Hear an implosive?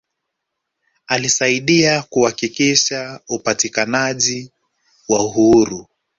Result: yes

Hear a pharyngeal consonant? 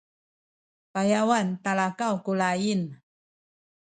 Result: no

